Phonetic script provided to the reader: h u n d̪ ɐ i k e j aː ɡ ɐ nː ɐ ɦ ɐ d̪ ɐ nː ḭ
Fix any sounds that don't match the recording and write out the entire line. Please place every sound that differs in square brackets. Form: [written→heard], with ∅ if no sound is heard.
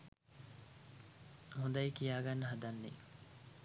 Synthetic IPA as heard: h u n d̪ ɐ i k [e→i] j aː ɡ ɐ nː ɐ ɦ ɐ d̪ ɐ nː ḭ